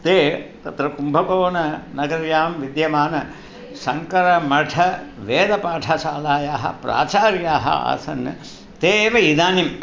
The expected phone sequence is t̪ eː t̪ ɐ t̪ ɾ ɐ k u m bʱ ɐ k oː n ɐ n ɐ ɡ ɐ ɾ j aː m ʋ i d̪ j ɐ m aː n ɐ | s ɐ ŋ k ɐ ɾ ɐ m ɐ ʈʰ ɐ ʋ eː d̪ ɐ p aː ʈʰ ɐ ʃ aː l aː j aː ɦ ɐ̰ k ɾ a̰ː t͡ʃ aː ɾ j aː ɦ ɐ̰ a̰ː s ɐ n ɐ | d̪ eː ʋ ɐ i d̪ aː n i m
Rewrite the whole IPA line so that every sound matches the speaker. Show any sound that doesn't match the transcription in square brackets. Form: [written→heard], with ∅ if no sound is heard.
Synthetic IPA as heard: t̪ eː t̪ ɐ t̪ ɾ ɐ k u m bʱ ɐ k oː n ɐ n ɐ ɡ ɐ ɾ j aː m ʋ i d̪ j ɐ m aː n ɐ | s ɐ ŋ k ɐ ɾ ɐ m ɐ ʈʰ ɐ ʋ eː d̪ ɐ p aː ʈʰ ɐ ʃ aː l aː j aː ɦ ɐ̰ [k→p] ɾ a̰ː t͡ʃ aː ɾ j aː ɦ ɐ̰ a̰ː s ɐ n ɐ | [d̪→t̪] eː ʋ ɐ i d̪ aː n i m